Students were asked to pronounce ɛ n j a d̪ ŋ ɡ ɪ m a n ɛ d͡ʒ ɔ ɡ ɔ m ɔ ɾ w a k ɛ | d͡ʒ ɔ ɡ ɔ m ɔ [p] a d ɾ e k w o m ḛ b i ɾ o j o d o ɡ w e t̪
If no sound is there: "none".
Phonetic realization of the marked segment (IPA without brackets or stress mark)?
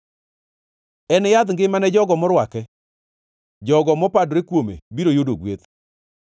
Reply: p